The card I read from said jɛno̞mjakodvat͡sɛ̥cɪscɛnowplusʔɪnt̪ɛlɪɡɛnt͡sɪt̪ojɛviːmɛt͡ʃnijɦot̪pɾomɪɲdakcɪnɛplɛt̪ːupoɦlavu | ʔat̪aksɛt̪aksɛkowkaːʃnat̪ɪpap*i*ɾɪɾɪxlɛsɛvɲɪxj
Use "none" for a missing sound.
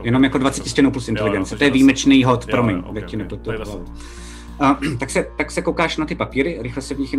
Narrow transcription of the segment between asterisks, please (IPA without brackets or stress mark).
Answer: iː